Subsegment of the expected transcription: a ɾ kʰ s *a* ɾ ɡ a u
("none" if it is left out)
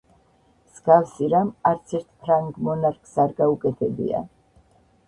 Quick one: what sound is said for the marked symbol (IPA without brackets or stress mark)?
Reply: a